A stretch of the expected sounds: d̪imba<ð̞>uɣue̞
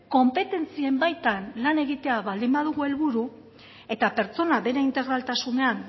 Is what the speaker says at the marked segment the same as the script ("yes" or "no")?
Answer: yes